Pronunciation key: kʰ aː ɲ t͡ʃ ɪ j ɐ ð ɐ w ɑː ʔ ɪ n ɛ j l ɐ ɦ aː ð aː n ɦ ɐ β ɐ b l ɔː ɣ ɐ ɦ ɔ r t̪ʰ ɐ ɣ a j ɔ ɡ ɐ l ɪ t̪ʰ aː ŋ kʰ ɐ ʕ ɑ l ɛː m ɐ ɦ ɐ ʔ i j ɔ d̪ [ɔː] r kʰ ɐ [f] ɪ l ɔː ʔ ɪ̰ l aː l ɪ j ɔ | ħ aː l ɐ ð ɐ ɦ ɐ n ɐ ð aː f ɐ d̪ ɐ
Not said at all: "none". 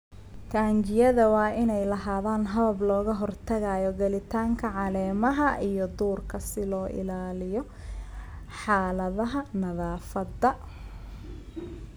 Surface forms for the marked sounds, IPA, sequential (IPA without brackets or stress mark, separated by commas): uː, s